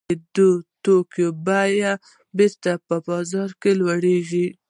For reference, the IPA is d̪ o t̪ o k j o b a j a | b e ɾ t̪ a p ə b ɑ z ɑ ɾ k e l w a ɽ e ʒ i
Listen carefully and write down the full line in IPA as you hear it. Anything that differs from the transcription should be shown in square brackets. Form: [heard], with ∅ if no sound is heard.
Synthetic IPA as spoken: d̪ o t̪ o k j o b a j a | b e ɾ t̪ a p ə b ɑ z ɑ ɾ k e l w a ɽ e ʒ i